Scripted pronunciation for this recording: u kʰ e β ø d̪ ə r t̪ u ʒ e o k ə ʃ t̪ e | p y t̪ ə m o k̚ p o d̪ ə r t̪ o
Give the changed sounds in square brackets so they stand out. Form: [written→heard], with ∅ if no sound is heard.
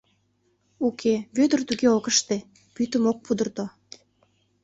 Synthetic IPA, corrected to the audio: u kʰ e β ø d̪ ə r t̪ u [ʒ→ɣ] e o k ə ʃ t̪ e | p y t̪ ə m o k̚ p [o→u] d̪ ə r t̪ o